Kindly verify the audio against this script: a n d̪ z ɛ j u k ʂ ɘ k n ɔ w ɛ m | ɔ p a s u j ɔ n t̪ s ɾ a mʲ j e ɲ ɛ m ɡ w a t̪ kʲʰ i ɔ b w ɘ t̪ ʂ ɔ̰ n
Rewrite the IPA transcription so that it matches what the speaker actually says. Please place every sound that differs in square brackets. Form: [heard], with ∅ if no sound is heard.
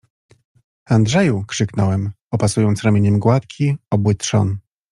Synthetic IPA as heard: a n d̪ [ʐ] ɛ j u k ʂ ɘ k n ɔ w ɛ m | ɔ p a s u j ɔ n t̪ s ɾ a mʲ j e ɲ ɛ m ɡ w a t̪ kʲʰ i ɔ b w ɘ t̪ ʂ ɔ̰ n